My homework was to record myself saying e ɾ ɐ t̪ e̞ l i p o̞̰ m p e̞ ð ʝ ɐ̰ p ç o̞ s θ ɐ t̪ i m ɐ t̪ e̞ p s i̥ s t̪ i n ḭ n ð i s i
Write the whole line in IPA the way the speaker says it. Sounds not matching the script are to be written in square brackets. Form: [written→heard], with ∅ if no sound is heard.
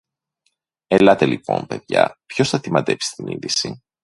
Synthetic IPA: e [ɾ→l] ɐ t̪ e̞ l i p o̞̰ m p e̞ ð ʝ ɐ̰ p ç o̞ s θ ɐ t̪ i m ɐ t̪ e̞ p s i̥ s t̪ i n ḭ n ð i s i